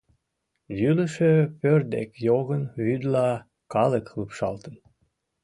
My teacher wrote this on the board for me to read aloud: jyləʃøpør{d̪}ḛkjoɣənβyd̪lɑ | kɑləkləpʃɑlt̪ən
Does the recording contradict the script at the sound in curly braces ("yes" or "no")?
no